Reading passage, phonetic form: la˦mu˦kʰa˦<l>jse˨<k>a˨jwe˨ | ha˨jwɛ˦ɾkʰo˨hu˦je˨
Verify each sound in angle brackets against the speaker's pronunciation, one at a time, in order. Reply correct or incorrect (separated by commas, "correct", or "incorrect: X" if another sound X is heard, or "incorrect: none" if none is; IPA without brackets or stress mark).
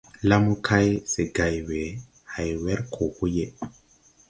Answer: incorrect: none, incorrect: ɡ